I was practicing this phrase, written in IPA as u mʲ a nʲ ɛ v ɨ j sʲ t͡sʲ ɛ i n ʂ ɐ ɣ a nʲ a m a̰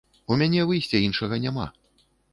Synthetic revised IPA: u mʲ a nʲ ɛ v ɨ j sʲ t͡sʲ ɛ i n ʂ ɐ ɣ ɐ nʲ a m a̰